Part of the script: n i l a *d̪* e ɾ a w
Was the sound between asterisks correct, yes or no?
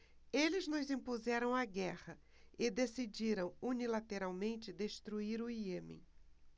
no